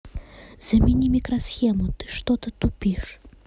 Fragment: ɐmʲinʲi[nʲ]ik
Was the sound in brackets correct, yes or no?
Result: no